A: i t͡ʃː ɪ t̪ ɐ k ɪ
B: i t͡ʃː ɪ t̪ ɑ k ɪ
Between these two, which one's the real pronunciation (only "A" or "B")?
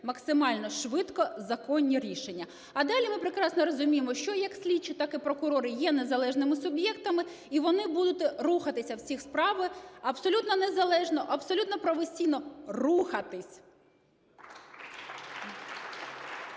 B